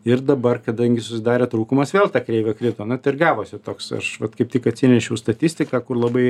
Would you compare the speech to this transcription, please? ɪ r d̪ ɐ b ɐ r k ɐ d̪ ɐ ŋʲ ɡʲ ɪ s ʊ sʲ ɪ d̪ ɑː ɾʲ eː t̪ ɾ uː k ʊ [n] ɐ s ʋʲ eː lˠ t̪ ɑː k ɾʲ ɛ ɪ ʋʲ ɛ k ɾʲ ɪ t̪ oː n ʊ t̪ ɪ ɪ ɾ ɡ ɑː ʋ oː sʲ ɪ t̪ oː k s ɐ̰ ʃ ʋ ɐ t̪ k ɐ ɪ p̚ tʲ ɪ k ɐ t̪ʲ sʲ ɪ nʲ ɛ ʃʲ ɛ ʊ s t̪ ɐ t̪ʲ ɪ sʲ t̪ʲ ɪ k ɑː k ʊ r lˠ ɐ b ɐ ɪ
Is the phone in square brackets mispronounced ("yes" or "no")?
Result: yes